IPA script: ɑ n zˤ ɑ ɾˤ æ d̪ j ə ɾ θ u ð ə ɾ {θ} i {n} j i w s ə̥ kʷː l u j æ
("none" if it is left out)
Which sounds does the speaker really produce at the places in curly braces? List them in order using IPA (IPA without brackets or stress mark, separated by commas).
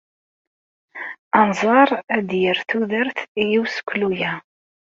θ, none